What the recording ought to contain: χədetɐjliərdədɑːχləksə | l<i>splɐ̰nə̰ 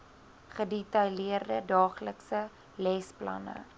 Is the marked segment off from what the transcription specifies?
yes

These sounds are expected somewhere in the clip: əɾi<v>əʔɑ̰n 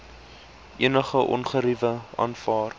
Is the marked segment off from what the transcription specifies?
no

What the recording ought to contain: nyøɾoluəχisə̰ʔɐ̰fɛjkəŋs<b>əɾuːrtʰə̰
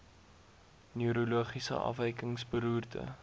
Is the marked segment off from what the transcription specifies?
no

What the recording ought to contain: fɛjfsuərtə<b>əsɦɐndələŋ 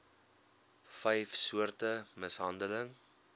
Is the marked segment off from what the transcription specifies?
yes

